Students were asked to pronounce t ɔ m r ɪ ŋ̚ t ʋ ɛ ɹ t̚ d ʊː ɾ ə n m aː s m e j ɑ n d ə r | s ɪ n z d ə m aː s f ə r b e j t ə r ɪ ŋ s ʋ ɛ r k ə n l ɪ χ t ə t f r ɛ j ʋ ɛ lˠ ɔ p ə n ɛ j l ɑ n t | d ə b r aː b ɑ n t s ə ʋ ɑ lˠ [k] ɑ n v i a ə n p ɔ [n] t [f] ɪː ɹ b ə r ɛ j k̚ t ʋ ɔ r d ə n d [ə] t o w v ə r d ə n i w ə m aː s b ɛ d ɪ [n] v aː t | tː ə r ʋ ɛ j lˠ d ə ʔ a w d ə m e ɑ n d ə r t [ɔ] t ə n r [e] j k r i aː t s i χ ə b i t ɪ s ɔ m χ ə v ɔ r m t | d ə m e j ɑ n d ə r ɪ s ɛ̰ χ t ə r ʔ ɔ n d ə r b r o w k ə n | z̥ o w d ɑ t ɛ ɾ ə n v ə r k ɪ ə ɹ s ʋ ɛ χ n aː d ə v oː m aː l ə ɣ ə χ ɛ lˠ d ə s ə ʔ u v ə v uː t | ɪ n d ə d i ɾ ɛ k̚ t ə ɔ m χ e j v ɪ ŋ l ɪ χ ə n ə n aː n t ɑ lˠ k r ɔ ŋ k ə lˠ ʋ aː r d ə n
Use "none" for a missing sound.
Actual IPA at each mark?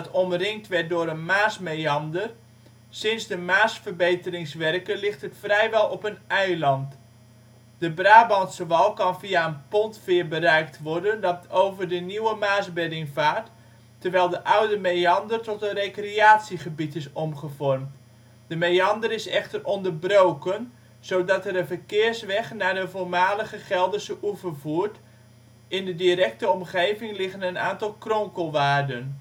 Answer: k, n, f, ɑ, ŋ, ɔ, e

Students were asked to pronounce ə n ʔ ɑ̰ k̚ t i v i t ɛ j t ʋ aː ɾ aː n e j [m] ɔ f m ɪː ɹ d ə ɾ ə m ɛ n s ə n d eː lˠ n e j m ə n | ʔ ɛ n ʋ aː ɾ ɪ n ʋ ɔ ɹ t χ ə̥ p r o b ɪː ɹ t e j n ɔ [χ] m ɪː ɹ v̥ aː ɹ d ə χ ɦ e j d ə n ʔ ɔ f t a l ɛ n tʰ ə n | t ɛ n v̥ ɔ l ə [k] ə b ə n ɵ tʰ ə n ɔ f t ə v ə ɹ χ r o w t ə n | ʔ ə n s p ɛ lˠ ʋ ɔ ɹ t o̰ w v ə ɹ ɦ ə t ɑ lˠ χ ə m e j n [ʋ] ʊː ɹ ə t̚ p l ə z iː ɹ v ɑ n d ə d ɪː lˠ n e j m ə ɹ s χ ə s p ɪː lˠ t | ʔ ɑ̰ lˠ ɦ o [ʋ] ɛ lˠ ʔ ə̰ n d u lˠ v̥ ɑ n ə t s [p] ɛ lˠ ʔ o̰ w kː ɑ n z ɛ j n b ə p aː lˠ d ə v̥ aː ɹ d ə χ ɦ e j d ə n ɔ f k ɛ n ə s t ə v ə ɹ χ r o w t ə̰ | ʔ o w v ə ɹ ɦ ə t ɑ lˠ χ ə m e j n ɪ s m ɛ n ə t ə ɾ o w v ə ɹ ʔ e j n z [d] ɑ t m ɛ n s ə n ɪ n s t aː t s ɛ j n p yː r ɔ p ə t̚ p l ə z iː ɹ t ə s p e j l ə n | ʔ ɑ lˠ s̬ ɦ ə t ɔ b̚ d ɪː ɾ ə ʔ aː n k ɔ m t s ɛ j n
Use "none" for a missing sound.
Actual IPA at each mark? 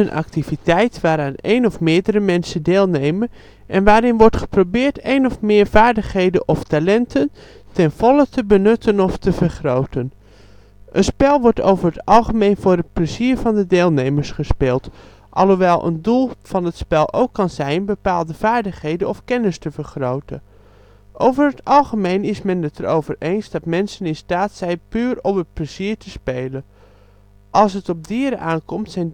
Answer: n, f, t, v, ʋ, p, d

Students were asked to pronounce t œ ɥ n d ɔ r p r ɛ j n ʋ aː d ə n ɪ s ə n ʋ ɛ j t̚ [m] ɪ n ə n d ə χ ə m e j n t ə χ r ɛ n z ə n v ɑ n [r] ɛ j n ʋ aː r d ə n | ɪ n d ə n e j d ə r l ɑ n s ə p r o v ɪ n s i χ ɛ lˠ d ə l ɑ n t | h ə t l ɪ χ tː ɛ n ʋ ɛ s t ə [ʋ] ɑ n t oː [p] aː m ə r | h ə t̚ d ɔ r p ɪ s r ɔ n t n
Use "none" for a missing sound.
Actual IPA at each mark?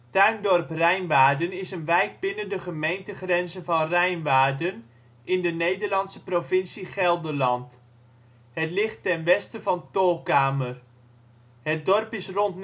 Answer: b, r, v, k

